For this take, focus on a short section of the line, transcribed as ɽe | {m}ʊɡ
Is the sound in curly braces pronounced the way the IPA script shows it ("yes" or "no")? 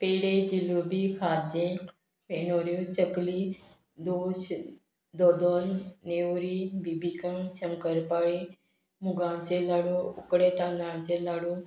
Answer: yes